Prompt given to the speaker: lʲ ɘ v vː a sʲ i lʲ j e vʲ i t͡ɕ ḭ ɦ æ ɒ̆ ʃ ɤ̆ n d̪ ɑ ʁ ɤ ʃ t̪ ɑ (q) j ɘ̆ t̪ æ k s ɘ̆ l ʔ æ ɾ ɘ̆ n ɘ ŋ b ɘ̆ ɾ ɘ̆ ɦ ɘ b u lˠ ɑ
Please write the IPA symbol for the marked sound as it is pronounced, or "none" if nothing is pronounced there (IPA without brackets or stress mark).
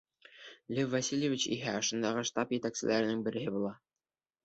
p